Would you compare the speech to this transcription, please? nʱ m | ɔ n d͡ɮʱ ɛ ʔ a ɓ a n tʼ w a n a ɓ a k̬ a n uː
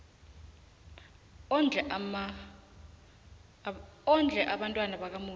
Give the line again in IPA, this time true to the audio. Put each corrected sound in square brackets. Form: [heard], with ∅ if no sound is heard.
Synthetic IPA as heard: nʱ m | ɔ n d͡ɮʱ ɛ ʔ a ɓ a n tʼ w a n a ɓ a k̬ a [m] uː